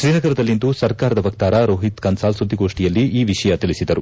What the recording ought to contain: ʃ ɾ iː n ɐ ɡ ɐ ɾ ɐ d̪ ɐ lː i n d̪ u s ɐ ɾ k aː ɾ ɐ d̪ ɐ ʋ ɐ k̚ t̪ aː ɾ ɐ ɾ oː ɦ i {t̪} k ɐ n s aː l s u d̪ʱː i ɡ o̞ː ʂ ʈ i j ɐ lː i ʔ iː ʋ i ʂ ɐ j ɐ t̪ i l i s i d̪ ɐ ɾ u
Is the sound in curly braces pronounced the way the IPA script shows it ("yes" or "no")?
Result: yes